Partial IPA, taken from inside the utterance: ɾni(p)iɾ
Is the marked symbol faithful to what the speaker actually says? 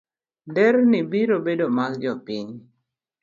no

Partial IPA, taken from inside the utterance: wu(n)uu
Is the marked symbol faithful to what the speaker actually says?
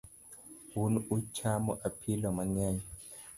yes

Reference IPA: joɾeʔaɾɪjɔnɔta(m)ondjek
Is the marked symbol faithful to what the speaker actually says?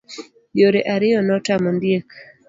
yes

